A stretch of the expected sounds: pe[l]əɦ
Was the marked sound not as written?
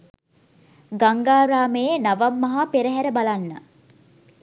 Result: yes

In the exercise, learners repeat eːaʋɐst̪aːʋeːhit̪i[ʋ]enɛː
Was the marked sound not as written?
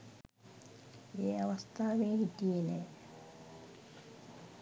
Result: yes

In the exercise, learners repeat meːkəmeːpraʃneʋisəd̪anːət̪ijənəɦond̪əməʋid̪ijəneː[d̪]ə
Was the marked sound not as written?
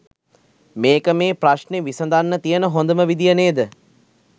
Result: no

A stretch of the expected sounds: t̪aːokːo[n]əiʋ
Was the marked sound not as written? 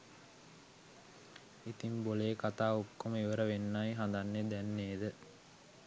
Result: yes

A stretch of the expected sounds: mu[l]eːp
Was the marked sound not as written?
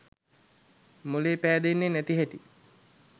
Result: no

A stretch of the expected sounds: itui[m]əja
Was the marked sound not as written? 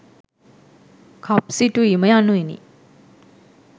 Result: no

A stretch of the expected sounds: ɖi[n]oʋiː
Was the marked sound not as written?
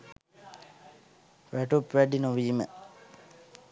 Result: no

